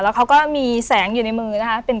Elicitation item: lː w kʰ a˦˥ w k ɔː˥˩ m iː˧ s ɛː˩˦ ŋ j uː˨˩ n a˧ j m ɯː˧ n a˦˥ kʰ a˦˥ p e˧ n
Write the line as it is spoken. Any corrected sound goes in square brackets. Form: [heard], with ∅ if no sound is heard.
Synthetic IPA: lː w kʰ a˦˥ w k ɔː˥˩ m iː˧ s ɛː˩˦ ŋ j uː˨˩ n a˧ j m ɯː˧ n a˦˥ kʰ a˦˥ p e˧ n